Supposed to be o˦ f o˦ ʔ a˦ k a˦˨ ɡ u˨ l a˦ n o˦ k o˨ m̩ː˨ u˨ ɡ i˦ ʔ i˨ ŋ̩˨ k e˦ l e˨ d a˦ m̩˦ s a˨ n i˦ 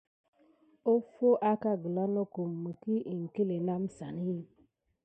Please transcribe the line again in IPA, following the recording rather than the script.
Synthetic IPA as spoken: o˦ f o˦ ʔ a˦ k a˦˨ ɡ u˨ l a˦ n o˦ k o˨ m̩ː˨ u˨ k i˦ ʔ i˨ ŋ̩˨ k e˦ l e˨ n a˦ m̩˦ s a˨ n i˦